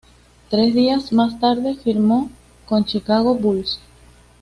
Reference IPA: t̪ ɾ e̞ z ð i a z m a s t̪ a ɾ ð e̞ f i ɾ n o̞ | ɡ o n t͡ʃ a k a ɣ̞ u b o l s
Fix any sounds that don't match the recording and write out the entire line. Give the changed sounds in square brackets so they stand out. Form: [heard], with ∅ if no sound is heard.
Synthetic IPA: t̪ ɾ e̞ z ð i a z m a s t̪ a ɾ ð e̞ f i ɾ [m] o̞ | [k] o n t͡ʃ [i] k a ɣ̞ [o] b [u] l s